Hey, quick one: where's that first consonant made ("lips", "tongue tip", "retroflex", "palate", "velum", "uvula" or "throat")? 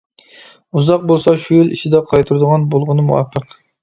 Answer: tongue tip